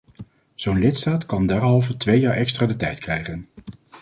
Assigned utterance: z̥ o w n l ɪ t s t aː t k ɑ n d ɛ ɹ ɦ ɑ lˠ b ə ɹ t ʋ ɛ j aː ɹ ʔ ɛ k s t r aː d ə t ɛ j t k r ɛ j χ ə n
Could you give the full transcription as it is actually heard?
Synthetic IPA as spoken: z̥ o w n l ɪ t s t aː t k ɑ n d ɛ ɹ ɦ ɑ lˠ v ə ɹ t ʋ e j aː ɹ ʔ ɛ k s t r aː d ə t ɛ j t k r ɛ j χ ə n